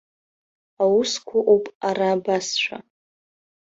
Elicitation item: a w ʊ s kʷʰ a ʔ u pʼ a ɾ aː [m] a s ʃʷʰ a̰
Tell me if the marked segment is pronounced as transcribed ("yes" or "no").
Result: no